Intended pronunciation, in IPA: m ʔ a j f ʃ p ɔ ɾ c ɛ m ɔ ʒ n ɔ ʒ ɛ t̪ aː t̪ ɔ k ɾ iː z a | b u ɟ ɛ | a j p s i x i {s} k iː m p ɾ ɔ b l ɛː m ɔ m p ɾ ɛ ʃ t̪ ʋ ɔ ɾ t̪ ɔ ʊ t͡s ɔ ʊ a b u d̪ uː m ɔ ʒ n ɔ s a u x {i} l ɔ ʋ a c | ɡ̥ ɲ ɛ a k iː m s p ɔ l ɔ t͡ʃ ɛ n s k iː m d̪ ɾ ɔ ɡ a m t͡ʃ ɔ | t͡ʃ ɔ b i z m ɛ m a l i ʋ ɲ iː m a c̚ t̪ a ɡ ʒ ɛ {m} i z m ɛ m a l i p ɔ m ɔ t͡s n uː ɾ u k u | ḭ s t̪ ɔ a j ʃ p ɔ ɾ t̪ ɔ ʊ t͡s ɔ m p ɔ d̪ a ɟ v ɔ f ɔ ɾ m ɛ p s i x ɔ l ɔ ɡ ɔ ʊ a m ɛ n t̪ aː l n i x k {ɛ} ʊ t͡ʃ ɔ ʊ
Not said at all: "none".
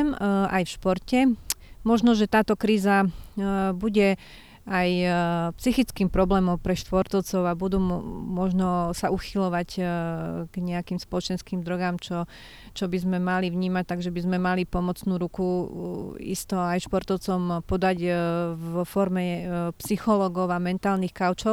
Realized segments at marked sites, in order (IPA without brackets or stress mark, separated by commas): t͡s, i, b, a